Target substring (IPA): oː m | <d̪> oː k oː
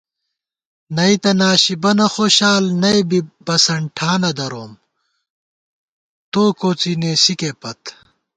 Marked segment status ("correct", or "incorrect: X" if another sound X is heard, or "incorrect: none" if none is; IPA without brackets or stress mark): incorrect: t̪